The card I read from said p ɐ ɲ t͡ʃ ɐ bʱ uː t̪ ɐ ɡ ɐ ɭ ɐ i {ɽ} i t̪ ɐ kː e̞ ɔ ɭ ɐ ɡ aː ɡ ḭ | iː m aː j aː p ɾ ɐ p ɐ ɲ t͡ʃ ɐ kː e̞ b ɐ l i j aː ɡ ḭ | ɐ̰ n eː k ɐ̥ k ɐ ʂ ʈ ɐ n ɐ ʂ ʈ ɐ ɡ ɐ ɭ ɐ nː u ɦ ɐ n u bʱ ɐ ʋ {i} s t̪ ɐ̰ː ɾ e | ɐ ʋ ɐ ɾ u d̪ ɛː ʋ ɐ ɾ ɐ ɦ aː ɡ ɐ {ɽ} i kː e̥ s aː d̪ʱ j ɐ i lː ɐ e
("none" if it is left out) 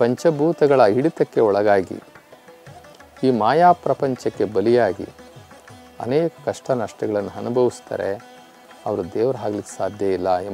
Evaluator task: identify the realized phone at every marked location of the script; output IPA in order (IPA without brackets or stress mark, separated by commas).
ɽ, i, l